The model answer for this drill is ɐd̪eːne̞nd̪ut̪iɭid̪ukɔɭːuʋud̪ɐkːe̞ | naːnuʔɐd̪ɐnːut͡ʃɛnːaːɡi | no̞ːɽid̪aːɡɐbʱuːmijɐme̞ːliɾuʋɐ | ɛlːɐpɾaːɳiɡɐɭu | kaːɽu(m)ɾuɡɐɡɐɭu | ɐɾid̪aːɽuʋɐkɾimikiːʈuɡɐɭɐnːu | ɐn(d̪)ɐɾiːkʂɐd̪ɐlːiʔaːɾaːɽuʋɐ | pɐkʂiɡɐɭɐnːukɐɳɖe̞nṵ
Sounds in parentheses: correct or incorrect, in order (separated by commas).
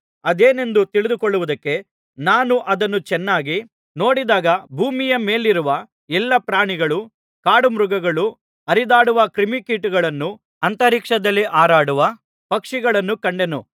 correct, incorrect